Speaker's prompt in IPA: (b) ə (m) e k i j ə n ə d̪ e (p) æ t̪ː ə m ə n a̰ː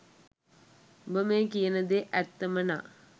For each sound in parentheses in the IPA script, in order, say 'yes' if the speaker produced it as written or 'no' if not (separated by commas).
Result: yes, yes, no